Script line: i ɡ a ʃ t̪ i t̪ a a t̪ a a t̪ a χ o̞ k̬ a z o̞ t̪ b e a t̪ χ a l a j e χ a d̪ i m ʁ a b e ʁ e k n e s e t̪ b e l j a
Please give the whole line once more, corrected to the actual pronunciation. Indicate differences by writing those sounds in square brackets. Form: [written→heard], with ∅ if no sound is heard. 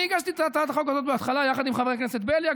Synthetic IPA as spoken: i ɡ a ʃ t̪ i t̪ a a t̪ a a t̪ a χ o̞ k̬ a z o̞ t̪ b e a t̪ χ a l a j [e→a] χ a d̪ i m [ʁ→χ] a [b→v] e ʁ e k n e s e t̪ b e l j a